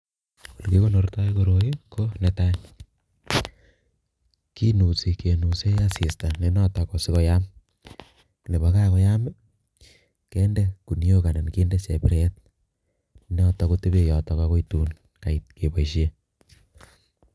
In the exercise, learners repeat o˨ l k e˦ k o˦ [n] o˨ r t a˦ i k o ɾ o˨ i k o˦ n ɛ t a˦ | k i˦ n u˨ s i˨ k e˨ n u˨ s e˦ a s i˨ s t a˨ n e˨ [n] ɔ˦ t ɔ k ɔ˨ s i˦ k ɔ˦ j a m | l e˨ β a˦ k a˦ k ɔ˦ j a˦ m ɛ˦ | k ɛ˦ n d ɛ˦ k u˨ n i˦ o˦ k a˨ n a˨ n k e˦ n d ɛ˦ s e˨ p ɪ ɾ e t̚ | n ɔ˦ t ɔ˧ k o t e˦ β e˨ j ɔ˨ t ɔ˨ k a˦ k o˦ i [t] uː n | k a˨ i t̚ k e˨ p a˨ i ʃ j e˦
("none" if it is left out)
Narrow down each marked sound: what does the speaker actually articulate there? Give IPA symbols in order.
n, n, t

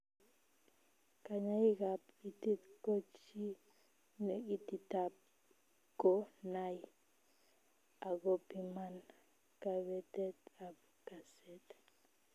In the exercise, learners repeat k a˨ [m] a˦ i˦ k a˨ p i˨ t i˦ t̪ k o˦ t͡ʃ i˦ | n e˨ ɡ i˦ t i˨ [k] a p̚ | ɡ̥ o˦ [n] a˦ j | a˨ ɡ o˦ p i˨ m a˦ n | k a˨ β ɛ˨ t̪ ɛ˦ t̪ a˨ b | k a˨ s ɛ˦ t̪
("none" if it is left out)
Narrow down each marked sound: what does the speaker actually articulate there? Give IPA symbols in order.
ɲ, t, n

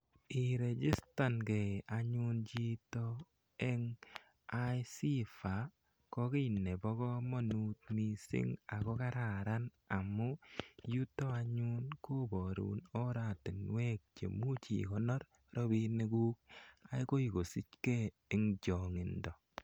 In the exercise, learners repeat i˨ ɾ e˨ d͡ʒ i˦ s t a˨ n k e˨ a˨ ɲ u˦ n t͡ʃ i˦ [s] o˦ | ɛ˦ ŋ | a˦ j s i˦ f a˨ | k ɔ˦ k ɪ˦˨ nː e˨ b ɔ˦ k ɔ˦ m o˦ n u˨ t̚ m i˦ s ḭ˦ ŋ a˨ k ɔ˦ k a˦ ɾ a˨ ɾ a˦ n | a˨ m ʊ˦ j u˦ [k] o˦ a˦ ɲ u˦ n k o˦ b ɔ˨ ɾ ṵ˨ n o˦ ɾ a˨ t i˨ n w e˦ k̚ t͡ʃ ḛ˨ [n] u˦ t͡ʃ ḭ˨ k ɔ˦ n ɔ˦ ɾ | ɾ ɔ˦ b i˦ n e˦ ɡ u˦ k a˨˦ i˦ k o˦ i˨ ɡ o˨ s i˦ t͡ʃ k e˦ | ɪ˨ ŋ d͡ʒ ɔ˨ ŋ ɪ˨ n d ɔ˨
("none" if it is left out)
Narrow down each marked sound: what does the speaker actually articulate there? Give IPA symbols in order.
t, t, m

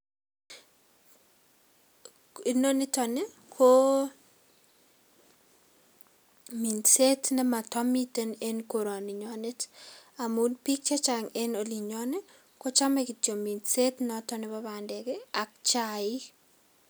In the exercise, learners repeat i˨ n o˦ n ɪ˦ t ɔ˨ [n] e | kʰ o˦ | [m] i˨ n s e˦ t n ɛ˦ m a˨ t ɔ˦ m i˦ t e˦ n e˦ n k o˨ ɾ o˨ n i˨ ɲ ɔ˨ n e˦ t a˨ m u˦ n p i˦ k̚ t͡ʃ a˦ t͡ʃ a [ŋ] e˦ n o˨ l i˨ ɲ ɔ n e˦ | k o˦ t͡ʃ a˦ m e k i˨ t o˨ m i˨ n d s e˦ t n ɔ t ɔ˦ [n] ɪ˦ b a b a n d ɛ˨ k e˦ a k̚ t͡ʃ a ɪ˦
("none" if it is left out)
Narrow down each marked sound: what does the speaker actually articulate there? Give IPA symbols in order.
n, m, ŋ, n

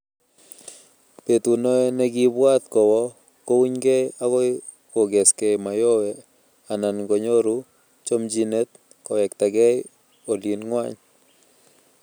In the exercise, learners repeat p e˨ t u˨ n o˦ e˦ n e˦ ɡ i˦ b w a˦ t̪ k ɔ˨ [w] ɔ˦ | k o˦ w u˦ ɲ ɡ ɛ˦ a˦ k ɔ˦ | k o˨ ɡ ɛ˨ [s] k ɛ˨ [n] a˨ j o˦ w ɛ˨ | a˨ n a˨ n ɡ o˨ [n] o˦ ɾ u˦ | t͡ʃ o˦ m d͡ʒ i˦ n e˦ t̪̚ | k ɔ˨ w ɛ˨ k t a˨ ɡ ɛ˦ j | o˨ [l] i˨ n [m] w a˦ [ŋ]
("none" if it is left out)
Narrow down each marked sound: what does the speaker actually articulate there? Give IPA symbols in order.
w, s, m, ɲ, l, ŋ, ɲ

